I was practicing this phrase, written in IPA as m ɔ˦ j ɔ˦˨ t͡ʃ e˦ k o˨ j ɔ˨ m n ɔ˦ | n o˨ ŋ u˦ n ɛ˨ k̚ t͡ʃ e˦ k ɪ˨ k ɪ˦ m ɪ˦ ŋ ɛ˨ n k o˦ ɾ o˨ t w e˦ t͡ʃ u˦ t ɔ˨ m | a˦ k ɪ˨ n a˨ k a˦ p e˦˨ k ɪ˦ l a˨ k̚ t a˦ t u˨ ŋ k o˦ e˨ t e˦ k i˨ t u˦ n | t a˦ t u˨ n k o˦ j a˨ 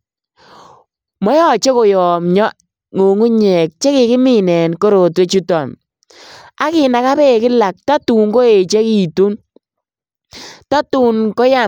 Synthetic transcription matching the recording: m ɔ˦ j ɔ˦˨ t͡ʃ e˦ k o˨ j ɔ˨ m ɲ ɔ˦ | ŋ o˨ ŋ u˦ ɲ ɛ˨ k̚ t͡ʃ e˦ k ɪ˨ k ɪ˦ m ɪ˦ n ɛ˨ n k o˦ ɾ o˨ t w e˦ t͡ʃ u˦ t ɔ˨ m | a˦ k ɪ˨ n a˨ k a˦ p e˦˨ k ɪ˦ l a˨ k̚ t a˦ t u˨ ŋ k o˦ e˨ t͡ʃ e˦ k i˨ t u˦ n | t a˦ t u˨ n k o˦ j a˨